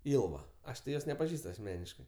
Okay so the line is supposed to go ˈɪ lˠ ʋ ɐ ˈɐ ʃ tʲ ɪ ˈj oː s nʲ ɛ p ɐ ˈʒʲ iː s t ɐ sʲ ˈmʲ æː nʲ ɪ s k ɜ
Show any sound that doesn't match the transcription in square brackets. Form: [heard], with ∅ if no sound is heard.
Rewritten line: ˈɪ lˠ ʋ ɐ ˈɐ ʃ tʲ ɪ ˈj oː s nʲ ɛ p ɐ ˈʒʲ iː s t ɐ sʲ ˈmʲ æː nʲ ɪ [ʃ] k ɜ